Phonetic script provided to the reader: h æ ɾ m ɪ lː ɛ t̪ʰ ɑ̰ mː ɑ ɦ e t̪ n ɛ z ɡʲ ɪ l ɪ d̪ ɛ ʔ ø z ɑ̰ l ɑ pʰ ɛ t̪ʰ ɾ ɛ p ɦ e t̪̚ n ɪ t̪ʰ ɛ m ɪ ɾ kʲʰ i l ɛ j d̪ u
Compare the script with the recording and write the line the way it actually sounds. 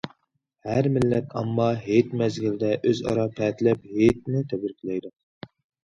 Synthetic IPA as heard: h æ ɾ m ɪ lː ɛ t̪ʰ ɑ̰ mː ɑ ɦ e t̪ m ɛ z ɡʲ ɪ l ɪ d̪ ɛ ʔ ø z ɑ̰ ɾ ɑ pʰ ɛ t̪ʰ l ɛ p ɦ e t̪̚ n ɪ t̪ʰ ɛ b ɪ ɾ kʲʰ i l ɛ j d̪ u